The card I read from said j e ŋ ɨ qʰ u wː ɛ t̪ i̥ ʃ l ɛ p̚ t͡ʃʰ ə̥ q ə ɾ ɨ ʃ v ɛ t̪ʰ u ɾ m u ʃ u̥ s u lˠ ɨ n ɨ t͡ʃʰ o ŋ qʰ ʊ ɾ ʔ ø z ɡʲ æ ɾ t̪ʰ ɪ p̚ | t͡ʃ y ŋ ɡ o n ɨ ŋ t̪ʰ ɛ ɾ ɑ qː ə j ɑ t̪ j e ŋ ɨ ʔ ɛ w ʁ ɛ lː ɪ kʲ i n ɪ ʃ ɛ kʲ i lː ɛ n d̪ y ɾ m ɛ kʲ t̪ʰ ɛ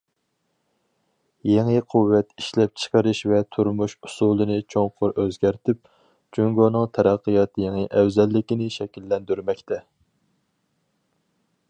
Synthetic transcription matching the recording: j e ŋ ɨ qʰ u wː ɛ t̪ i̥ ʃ l ɛ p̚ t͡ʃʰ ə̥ q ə ɾ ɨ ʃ v ɛ t̪ʰ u ɾ m u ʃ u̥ s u lˠ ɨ n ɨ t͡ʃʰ o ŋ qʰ ʊ ɾ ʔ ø z ɡʲ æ ɾ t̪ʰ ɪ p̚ | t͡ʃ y ŋ ɡ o n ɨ ŋ t̪ʰ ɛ ɾ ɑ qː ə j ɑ t̪ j e ŋ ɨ ʔ ɛ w z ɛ lː ɪ kʲ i n ɪ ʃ ɛ kʲ i lː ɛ n d̪ y ɾ m ɛ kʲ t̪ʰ ɛ